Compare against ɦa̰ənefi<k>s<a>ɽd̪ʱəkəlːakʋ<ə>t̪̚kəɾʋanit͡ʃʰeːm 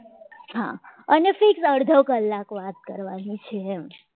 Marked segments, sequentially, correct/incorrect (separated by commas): correct, incorrect, incorrect